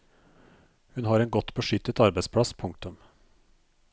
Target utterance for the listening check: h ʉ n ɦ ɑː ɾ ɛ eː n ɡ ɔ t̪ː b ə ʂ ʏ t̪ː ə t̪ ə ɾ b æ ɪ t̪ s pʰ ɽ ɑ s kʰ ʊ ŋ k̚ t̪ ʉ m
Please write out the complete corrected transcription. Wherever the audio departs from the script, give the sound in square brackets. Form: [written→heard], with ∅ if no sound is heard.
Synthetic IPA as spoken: h ʉ n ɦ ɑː ɾ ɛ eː n ɡ ɔ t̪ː b ə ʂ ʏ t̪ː ə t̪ [ə→ɑ] ɾ b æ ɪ [t̪→∅] s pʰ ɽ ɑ s [kʰ→pʰ] ʊ ŋ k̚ t̪ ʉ m